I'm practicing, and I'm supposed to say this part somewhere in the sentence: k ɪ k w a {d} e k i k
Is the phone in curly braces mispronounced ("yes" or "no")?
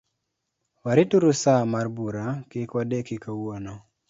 no